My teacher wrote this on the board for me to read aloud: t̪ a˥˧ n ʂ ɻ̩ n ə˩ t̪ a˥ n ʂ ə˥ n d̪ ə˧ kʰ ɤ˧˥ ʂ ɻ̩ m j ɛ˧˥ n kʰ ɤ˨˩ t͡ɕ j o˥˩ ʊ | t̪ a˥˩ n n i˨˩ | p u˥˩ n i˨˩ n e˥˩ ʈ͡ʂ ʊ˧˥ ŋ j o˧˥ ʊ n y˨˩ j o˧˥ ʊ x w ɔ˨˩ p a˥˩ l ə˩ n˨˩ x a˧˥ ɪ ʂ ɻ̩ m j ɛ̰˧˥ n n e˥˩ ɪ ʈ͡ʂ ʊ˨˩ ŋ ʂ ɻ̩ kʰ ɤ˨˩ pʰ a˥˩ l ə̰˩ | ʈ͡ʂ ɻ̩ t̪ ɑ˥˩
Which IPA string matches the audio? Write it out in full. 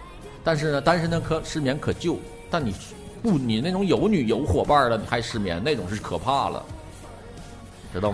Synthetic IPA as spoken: t̪ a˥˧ n ʂ ɻ̩ n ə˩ t̪ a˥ n ʂ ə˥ n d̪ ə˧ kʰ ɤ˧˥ ʂ ɻ̩ m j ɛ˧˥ n kʰ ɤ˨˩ t͡ɕ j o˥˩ ʊ | t̪ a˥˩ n n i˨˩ | p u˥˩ n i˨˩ n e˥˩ ʈ͡ʂ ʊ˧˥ ŋ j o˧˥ ʊ n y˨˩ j o˧˥ ʊ x w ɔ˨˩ p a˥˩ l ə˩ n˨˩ x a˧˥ ɪ ʂ ɻ̩ m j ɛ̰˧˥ n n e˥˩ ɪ ʈ͡ʂ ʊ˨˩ ŋ ʂ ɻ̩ kʰ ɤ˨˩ pʰ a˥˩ l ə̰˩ | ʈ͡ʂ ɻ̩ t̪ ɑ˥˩